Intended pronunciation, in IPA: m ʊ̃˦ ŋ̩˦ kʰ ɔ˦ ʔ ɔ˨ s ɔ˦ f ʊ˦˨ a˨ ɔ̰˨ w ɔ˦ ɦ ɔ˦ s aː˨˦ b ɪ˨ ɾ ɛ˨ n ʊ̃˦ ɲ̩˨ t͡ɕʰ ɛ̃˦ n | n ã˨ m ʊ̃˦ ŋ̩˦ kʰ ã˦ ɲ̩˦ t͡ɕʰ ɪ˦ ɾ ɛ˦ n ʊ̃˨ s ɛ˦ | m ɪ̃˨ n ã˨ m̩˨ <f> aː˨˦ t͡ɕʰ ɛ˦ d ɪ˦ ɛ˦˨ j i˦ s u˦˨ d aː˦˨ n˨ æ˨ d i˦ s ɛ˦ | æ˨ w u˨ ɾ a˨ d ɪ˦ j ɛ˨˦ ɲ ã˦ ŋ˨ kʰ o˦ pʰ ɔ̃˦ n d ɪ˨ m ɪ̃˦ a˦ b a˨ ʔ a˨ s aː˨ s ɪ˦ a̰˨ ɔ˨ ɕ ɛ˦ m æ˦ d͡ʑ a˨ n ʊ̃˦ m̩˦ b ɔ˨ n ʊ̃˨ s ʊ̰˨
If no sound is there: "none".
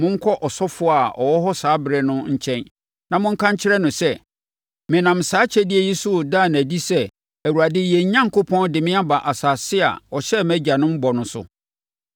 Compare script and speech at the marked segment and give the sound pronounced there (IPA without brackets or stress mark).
s